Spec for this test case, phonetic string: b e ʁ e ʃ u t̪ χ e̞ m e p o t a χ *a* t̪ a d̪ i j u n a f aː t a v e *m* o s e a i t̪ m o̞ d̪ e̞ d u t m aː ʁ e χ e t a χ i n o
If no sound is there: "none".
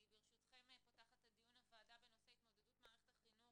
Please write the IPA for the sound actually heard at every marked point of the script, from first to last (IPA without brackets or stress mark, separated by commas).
a, n